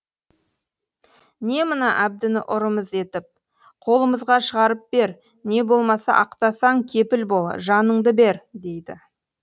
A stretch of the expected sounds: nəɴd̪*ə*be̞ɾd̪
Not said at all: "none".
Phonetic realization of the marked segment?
ə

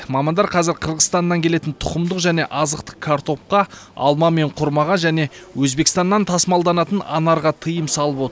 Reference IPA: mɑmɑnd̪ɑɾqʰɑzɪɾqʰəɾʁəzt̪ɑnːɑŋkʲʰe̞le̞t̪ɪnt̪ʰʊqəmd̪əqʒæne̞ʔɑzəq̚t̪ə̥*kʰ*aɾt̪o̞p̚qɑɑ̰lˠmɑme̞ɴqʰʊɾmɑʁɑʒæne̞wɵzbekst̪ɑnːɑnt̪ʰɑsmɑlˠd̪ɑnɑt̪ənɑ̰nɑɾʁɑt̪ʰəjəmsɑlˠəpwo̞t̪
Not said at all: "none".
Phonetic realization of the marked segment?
kʰ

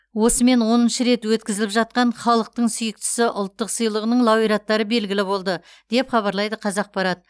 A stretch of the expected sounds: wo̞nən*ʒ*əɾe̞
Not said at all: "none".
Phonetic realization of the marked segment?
ʃ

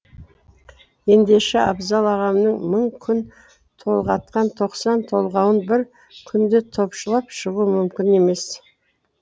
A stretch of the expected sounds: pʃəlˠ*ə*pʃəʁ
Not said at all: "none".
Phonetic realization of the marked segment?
ɑ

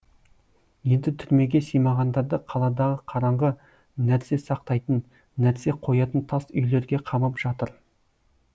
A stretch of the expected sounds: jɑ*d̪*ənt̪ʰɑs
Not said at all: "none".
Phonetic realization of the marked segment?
t̪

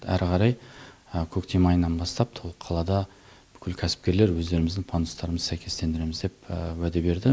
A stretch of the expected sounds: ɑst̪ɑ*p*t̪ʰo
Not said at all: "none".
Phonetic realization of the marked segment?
p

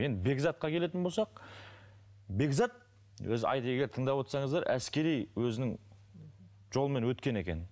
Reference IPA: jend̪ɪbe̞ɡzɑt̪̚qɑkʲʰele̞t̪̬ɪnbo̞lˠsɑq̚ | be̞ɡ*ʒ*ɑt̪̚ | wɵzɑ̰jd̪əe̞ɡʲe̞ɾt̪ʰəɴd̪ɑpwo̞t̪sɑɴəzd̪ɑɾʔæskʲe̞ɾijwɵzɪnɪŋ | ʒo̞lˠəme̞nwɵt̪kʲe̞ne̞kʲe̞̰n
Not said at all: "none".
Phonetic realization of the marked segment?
z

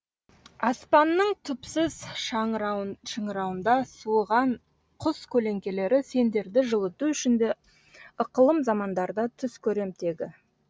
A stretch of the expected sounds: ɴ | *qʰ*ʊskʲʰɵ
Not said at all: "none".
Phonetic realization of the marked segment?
qʰ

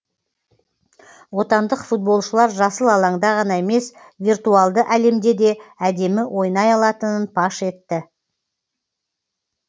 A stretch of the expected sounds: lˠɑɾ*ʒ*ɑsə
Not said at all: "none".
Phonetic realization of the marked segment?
ʒ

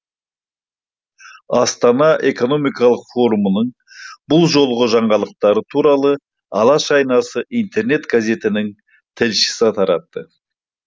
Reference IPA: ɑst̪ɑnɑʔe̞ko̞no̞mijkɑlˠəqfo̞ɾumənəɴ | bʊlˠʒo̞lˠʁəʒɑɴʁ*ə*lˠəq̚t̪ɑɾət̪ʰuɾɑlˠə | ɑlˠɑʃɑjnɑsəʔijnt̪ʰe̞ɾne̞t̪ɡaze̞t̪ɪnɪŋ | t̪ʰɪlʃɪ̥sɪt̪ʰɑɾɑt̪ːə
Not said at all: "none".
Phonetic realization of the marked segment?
ɑ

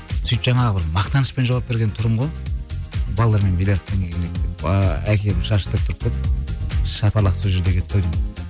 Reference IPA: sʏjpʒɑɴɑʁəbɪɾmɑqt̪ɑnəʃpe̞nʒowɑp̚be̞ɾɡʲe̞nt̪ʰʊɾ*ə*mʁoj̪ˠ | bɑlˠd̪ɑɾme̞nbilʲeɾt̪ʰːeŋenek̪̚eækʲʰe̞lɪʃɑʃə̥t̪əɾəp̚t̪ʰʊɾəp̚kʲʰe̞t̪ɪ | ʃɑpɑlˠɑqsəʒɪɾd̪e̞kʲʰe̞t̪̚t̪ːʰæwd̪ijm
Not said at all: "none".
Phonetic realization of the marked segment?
ə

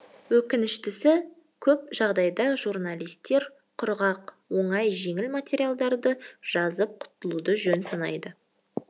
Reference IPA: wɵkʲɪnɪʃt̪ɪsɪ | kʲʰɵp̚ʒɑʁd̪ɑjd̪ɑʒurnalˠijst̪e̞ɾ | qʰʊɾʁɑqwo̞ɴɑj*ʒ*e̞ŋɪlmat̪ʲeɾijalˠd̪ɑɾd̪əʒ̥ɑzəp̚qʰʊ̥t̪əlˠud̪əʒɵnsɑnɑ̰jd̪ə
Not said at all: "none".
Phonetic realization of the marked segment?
ʒ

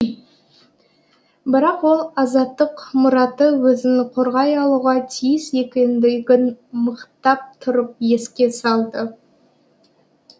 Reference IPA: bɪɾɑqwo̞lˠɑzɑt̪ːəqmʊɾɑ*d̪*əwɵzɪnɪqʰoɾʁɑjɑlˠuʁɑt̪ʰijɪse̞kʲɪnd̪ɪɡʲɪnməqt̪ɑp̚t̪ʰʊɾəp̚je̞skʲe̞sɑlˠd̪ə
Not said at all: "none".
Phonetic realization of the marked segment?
t̪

